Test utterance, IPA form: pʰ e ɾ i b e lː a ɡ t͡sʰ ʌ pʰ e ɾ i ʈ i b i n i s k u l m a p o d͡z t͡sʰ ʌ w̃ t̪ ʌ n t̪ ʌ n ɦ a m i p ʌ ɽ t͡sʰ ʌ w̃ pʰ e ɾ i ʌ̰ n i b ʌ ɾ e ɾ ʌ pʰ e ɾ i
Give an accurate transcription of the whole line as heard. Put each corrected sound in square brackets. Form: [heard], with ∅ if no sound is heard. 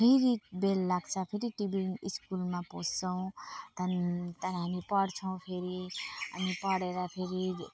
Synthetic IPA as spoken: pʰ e ɾ i b e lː a ɡ t͡sʰ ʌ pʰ e ɾ i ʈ i b i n i s k u l m a p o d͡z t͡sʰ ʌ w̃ t̪ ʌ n t̪ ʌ n ɦ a m i p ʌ ɽ t͡sʰ ʌ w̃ pʰ e ɾ i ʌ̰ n i [p] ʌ [ɽ] e ɾ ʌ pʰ e ɾ i